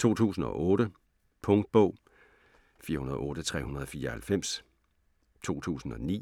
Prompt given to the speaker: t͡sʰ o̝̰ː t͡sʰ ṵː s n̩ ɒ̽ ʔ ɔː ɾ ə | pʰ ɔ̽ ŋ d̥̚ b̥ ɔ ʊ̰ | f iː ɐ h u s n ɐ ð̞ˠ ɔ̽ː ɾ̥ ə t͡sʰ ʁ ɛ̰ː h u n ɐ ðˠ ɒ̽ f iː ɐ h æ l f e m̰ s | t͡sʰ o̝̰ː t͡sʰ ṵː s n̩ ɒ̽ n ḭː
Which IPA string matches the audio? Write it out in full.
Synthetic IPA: t͡sʰ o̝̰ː t͡sʰ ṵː s n̩ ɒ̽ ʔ ɔː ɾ ə | pʰ ɔ̽ ŋ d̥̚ b̥ ɔ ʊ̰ | f iː ɐ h u n ɐ ð̞ˠ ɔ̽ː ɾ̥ ə t͡sʰ ʁ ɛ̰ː h u n ɐ ðˠ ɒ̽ f iː ɐ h æ l f e m̰ s | t͡sʰ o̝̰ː t͡sʰ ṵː s n̩ ɒ̽ n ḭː

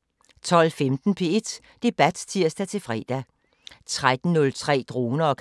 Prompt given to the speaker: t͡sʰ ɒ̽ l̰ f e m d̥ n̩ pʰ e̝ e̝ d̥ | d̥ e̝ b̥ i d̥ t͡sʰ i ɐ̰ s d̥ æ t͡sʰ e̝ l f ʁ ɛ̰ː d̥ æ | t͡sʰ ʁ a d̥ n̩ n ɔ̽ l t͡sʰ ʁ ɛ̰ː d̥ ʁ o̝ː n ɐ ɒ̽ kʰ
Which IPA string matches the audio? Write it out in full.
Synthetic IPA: t͡sʰ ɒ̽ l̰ f e m d̥ n̩ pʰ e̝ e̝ d̥ | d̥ e̝ b̥ æ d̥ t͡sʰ i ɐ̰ s d̥ æ t͡sʰ e̝ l f ʁ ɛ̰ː d̥ æ | t͡sʰ ʁ a d̥ n̩ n ɔ̽ l t͡sʰ ʁ ɛ̰ː d̥ ʁ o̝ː n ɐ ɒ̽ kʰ

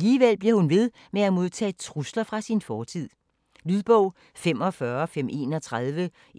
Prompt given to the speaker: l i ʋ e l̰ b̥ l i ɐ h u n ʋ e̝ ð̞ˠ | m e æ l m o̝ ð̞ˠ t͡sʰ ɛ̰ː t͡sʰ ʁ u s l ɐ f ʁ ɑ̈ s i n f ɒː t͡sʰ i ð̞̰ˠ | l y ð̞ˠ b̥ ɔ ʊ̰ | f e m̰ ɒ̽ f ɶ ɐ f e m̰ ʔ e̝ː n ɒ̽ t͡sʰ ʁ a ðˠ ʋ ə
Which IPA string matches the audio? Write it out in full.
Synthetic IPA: l iː ʋ e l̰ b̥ l i ɐ h u n ʋ e̝ ð̞ˠ | m e æ m o̝ ð̞ˠ t͡sʰ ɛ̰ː t͡sʰ ʁ u s l ɐ f ʁ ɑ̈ s i n f ɒː t͡sʰ i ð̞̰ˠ | l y ð̞ˠ b̥ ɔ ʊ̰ | f e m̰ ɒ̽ f ɶ ɐ f e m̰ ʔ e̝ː n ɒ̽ t͡sʰ ʁ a ðˠ ʋ ə

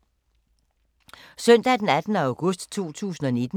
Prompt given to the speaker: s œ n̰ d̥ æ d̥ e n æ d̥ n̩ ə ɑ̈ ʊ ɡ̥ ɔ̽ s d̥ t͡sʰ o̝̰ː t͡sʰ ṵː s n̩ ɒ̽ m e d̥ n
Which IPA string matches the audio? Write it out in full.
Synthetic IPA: s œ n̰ d̥ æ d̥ e n æ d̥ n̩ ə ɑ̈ ʊ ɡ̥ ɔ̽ s d̥ t͡sʰ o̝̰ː t͡sʰ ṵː s n̩ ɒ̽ n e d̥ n

